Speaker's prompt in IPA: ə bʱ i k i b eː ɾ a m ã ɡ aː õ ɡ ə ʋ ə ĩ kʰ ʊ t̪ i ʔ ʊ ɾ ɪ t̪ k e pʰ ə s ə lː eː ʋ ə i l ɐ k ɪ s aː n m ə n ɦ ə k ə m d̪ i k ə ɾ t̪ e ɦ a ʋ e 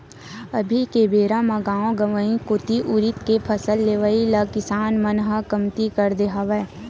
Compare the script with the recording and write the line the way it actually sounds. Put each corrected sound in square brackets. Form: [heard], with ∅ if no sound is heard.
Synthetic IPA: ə bʱ i k [e] b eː ɾ a m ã ɡ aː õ ɡ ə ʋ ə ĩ [k] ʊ t̪ i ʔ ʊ ɾ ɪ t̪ k e pʰ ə s ə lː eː ʋ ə i l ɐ k ɪ s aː n m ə n ɦ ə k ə m [t̪] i k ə ɾ [d̪] e ɦ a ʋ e